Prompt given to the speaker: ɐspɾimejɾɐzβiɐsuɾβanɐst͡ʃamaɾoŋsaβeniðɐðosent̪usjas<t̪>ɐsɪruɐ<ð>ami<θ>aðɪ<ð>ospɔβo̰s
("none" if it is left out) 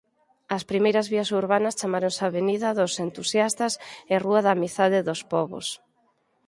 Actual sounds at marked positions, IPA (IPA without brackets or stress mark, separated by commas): t̪, ð, θ, ð